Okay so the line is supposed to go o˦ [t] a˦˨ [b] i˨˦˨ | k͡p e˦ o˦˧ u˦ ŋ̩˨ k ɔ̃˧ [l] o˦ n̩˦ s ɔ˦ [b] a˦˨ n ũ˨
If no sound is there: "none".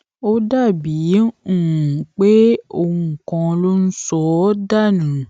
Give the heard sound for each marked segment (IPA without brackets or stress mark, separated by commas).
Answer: d, b, l, d